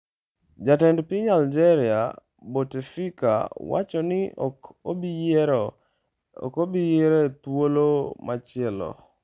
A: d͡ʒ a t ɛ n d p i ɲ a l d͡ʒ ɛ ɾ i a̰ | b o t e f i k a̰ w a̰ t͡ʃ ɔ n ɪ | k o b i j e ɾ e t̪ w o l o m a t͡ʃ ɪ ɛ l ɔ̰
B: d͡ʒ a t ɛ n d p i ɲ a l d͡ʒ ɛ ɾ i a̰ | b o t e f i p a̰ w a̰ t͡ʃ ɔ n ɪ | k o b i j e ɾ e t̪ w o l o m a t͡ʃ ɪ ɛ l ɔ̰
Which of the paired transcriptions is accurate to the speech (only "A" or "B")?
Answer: A